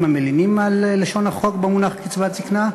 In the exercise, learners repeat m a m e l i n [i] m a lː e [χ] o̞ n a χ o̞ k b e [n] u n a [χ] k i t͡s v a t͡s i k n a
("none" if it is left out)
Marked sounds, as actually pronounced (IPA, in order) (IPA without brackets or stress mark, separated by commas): i, ʃ, m, χ